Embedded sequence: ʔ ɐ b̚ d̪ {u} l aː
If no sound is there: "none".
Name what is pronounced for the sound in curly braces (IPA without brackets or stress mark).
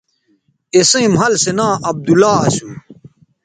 u